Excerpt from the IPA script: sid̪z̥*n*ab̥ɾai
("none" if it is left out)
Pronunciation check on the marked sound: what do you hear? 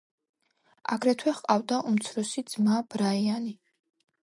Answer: m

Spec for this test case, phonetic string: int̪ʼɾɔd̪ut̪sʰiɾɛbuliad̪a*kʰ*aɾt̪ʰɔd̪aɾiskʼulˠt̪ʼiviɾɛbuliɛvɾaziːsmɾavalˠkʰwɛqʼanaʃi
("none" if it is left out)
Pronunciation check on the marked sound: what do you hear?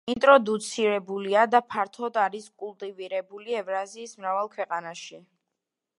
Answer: pʰ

